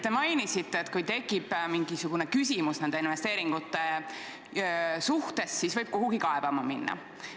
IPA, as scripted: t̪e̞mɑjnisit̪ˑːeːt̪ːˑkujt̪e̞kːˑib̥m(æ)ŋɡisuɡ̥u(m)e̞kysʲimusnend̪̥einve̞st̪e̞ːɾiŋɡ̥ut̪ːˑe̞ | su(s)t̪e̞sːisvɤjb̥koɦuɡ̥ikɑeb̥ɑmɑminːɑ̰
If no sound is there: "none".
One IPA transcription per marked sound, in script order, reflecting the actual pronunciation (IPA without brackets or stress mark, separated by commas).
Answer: i, n, h